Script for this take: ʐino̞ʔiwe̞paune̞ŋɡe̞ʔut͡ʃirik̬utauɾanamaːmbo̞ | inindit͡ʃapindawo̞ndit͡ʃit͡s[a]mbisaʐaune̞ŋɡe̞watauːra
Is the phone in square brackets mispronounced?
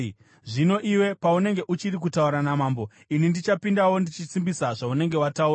yes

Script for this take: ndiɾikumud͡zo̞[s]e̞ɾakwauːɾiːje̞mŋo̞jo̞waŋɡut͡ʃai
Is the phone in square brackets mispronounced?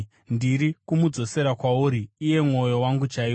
no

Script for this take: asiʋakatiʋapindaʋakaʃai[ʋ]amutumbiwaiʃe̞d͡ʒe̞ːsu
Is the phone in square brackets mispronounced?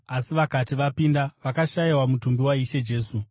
yes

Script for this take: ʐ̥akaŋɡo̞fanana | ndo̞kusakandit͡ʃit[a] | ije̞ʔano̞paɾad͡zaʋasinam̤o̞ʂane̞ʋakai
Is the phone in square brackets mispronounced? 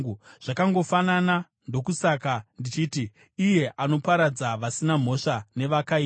yes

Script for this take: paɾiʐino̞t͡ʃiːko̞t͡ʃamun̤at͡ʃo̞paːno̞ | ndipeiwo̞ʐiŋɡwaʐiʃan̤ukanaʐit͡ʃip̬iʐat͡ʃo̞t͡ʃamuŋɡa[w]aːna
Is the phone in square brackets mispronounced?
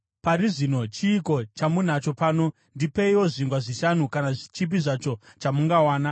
no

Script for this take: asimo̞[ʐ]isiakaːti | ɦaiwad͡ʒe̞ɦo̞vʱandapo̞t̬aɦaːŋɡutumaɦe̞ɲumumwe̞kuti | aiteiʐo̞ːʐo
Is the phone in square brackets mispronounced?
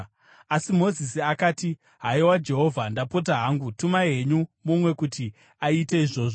yes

